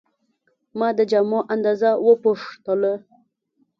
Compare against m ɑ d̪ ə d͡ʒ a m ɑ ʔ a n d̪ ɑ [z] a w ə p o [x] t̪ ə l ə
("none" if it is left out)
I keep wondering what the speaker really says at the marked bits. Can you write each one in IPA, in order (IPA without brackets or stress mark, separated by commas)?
z, ʂ